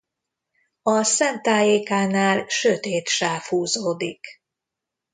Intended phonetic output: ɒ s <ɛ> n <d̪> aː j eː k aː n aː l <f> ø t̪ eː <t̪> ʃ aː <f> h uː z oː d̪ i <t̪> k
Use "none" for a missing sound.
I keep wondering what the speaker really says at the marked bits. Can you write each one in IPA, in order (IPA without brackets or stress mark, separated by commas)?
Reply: ɛ, t̪, ʃ, t̪, f, none